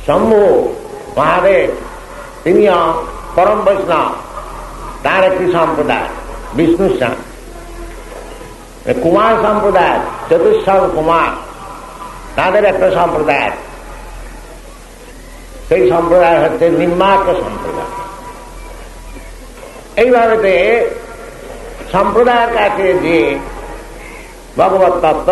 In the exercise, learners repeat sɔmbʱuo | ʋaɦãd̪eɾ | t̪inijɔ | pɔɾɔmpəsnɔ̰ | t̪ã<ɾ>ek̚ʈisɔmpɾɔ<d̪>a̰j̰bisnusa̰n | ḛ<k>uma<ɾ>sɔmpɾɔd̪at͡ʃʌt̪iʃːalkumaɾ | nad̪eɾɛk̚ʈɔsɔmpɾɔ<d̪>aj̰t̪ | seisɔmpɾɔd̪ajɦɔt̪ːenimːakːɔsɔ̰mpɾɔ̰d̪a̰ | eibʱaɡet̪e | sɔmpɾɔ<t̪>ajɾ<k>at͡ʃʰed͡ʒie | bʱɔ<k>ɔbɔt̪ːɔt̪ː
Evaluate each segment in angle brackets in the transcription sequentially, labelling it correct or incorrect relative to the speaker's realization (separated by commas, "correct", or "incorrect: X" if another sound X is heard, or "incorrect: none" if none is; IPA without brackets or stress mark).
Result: correct, correct, correct, correct, correct, incorrect: d̪, correct, incorrect: ɡ